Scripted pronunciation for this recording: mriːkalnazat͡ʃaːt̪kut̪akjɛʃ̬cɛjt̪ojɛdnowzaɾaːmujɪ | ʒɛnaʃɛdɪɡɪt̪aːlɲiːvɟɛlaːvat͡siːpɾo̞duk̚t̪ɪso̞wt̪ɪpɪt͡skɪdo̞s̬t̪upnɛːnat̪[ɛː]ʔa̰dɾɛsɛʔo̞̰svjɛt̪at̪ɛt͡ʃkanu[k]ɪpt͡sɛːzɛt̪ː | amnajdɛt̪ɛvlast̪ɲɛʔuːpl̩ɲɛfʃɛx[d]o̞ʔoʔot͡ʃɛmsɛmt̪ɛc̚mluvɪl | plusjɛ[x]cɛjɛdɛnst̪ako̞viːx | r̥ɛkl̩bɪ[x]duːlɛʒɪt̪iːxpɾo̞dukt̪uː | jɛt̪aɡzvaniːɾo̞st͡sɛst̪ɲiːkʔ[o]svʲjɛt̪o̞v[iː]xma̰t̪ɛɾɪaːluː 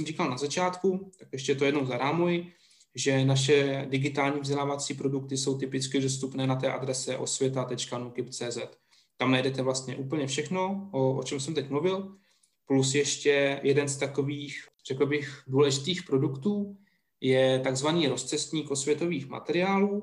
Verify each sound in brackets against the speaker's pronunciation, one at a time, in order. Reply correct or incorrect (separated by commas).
correct, correct, incorrect, incorrect, correct, correct, correct